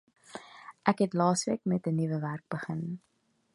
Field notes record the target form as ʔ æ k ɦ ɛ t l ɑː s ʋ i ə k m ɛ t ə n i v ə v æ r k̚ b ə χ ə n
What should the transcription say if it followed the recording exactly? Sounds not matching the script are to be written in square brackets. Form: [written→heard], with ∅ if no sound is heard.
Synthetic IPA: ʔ æ k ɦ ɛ t l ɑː s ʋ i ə k m ɛ t ə n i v ə v æ r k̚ b ə χ ə n